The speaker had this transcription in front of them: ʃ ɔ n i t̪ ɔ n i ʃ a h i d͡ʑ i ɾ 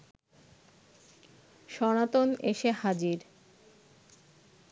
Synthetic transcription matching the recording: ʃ ɔ n a t̪ o n e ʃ e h a d͡ʑ i ɾ